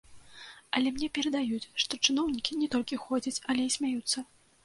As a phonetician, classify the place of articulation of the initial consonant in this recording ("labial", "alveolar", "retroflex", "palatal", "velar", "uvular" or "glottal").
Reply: alveolar